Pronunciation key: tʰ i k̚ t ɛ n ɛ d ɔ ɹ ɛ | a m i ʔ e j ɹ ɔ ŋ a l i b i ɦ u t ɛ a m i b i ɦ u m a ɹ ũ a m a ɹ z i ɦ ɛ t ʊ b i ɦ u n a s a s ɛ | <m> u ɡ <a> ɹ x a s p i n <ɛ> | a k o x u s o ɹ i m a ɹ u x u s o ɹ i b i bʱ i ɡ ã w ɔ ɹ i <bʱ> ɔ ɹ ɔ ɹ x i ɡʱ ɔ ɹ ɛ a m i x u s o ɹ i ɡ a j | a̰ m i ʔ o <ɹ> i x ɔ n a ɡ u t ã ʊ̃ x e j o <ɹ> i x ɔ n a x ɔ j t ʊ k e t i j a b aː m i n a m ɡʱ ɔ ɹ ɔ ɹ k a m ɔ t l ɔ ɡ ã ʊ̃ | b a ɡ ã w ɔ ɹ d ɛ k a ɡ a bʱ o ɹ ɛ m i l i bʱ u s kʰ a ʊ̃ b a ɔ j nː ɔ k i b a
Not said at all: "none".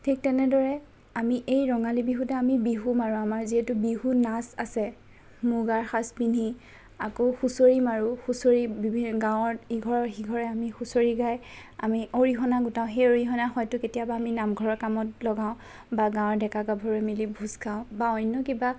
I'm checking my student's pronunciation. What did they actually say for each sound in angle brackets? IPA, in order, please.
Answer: m, a, i, ɡʱ, ɹ, ɹ

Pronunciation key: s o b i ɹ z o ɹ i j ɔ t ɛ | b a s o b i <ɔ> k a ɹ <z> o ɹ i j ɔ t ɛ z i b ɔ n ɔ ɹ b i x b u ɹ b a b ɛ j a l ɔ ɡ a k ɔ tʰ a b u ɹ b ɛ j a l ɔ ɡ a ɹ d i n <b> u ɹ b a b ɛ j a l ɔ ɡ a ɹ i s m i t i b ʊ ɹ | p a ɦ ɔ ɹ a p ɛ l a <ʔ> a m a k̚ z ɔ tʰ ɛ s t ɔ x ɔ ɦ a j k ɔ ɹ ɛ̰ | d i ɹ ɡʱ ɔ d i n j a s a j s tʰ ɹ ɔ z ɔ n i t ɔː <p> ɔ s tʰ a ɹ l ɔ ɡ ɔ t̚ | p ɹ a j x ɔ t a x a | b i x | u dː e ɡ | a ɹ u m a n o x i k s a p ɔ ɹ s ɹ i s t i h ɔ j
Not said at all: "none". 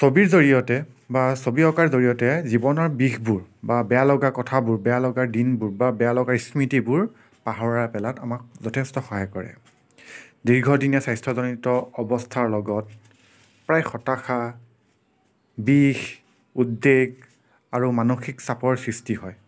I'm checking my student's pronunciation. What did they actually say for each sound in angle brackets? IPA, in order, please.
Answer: ɔ, z, b, t, b

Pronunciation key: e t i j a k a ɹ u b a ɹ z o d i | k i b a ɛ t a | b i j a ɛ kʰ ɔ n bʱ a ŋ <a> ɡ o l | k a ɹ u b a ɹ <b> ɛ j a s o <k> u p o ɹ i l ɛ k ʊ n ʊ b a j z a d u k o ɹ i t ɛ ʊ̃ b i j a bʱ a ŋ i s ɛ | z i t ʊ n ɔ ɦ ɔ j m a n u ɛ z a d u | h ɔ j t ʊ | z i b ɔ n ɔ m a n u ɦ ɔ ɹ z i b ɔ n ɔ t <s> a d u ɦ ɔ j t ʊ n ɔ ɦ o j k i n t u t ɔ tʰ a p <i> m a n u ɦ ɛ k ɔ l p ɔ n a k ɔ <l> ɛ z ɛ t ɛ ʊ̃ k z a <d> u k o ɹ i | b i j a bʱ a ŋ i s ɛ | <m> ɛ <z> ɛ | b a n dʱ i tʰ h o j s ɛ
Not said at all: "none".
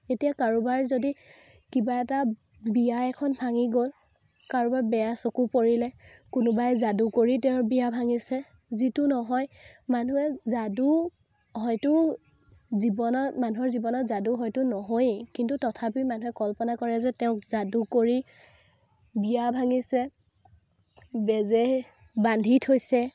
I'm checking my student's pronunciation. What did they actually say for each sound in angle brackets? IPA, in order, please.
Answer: i, b, k, z, i, ɹ, d, b, z

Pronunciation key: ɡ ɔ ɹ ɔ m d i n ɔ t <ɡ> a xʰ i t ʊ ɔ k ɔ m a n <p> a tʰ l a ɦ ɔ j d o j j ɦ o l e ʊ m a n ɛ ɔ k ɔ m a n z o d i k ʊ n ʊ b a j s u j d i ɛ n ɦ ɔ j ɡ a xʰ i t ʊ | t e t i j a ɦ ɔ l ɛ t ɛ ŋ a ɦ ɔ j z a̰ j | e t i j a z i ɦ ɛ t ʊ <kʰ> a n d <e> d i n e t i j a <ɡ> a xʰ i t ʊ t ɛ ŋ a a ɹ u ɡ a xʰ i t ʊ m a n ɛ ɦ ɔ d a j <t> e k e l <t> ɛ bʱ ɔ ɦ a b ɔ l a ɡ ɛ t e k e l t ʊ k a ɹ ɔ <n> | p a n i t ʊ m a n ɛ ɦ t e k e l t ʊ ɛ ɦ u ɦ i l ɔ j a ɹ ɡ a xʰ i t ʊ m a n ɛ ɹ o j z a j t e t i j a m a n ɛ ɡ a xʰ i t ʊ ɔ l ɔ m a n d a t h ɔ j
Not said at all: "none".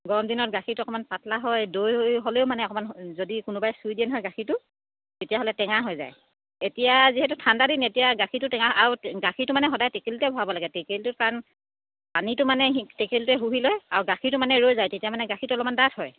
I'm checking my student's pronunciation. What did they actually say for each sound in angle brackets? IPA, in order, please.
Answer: ɡ, p, tʰ, a, ɡ, t, t, n

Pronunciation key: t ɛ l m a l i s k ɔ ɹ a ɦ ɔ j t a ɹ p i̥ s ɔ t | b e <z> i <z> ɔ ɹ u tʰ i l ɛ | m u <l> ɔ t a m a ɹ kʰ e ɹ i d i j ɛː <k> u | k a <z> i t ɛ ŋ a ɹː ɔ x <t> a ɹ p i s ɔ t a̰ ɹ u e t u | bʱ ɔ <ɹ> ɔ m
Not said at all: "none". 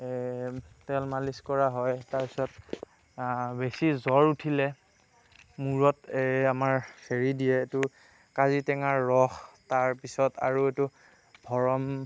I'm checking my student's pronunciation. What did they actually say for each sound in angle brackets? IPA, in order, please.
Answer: s, z, ɹ, t, z, t, ɹ

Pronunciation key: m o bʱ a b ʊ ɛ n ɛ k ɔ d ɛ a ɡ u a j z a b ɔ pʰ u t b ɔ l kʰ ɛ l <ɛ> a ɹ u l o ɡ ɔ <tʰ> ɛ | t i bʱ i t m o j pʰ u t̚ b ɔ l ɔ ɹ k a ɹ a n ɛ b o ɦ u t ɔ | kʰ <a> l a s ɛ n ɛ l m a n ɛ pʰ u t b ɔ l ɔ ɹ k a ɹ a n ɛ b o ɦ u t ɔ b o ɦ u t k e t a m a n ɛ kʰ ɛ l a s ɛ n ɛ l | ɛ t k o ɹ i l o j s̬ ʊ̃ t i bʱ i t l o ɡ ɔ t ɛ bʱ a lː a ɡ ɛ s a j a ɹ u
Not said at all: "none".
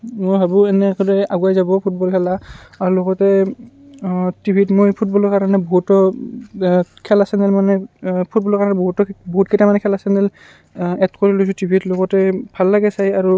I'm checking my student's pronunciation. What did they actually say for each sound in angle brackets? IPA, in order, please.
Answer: a, t, ɛ

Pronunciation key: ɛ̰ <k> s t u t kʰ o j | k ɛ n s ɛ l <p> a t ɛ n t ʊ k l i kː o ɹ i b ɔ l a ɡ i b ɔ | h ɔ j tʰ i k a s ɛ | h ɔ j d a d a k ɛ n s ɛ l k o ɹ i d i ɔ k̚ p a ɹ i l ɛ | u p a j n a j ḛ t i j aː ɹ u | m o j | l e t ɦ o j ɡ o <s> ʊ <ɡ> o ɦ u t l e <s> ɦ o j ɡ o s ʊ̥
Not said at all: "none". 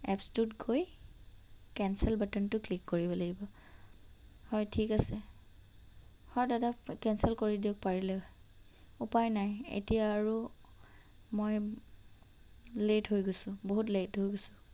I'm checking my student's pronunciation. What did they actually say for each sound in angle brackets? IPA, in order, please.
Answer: p, b, s, b, t

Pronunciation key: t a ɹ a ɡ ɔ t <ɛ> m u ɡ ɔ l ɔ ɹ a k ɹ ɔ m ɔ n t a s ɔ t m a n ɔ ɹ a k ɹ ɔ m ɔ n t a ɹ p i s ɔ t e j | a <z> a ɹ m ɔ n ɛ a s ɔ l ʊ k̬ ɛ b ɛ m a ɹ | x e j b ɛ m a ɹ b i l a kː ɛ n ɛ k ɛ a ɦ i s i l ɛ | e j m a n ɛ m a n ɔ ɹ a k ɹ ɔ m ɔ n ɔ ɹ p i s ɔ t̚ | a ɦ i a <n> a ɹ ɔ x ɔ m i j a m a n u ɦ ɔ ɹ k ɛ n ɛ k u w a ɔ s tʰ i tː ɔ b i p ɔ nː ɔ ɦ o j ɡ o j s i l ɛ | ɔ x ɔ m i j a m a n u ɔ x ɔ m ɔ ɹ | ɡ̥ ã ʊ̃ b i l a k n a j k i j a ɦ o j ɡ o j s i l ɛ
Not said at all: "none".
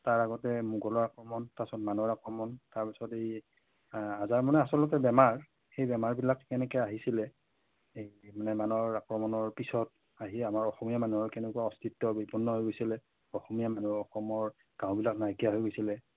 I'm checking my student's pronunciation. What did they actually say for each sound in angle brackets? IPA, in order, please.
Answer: ɛ, z, m

